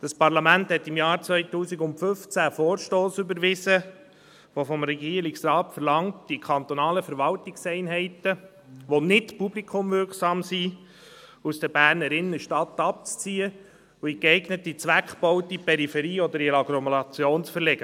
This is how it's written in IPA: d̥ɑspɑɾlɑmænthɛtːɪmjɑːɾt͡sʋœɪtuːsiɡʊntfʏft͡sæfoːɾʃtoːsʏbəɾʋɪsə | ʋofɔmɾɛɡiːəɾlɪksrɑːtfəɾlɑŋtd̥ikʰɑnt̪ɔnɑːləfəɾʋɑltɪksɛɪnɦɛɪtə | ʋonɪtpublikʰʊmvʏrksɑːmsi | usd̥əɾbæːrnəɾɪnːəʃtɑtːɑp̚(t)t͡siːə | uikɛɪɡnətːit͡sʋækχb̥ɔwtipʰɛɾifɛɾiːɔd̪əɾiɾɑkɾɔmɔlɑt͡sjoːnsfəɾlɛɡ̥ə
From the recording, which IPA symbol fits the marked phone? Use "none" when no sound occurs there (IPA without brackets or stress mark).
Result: t͡s